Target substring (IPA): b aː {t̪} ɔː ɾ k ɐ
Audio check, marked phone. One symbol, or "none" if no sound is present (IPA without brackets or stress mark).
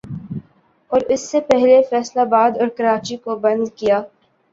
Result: d̪